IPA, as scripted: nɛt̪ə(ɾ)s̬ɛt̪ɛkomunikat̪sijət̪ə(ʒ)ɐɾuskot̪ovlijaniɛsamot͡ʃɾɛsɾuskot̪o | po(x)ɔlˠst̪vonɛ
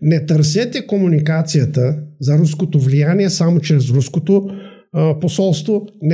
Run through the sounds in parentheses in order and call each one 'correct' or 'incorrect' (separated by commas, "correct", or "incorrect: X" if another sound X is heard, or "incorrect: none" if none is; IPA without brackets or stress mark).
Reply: correct, incorrect: z, incorrect: s